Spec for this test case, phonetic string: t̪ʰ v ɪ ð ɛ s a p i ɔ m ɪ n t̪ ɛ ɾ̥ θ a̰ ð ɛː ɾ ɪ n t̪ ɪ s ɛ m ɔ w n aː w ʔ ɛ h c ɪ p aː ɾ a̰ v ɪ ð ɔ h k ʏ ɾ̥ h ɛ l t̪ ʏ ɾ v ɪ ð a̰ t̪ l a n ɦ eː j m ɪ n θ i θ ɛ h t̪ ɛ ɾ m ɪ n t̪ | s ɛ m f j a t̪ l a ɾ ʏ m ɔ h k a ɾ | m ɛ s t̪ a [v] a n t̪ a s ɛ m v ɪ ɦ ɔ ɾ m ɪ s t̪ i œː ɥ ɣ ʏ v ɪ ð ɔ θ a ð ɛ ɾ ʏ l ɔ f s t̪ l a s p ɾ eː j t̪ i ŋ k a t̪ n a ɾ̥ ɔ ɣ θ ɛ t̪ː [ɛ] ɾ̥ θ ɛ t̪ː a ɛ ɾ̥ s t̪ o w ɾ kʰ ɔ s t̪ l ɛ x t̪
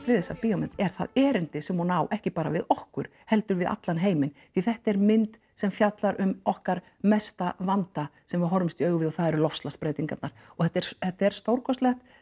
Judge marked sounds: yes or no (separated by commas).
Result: yes, yes